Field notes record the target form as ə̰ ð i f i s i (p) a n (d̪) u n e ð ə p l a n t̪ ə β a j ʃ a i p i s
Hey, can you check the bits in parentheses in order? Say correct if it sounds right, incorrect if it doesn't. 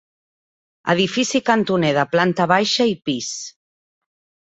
incorrect, incorrect

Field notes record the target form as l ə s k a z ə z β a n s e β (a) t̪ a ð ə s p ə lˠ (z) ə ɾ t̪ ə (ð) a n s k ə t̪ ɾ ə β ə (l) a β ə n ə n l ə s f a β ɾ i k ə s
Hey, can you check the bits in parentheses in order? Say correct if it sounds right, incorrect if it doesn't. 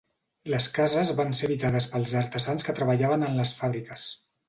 incorrect, correct, incorrect, incorrect

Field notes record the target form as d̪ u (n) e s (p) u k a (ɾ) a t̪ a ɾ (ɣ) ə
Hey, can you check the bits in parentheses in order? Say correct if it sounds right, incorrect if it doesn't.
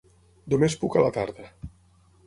incorrect, correct, incorrect, incorrect

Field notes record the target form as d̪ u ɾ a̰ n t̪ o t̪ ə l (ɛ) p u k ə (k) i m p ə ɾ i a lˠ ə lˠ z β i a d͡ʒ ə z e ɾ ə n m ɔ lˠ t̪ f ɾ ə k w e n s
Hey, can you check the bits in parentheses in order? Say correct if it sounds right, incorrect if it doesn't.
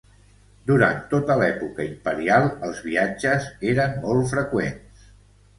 correct, incorrect

